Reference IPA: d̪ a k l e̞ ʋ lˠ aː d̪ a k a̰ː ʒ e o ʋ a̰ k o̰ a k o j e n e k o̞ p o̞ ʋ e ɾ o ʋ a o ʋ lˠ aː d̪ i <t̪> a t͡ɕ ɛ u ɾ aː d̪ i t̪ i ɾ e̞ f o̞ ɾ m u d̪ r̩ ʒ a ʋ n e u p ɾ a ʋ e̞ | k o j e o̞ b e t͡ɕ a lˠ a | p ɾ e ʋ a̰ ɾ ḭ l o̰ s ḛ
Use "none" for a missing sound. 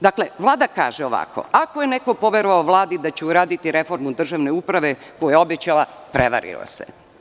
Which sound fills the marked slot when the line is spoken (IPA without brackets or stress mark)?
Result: d̪